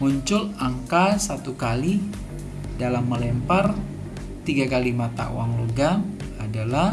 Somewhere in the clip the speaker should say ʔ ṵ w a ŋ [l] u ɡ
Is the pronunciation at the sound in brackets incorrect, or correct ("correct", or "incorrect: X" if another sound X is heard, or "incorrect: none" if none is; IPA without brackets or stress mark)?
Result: correct